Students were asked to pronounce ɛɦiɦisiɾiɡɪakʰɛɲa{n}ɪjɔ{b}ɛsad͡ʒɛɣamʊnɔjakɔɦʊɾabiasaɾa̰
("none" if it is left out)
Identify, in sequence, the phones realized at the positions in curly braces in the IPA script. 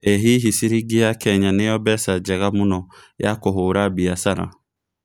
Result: n, b

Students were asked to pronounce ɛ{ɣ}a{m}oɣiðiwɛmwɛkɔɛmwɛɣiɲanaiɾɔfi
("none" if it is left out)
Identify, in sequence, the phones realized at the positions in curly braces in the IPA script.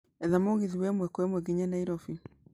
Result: ð, m

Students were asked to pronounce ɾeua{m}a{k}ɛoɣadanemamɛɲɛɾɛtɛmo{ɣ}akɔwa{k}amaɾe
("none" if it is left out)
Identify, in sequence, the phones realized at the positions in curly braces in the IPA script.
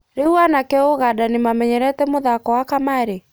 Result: n, k, ð, k

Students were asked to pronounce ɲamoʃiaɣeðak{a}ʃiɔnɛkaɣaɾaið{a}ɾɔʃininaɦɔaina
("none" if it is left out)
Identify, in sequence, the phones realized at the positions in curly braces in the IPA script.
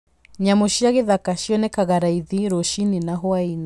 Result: a, i

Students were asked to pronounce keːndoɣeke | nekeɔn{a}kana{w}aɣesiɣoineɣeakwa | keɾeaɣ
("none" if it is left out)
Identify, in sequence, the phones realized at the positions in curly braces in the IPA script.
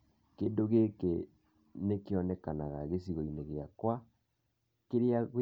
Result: ɛ, ɣ

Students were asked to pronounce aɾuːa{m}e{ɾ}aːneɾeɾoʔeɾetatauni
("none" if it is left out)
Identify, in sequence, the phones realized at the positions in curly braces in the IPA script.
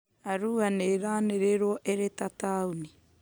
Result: n, ɾ

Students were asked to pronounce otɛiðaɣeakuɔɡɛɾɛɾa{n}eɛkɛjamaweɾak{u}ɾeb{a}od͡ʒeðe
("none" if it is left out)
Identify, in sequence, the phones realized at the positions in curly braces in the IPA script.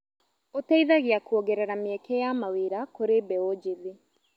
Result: m, o, ɛ

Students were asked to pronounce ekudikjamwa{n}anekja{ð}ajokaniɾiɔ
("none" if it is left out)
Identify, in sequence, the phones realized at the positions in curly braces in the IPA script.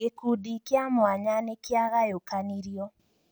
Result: ɲ, ɣ

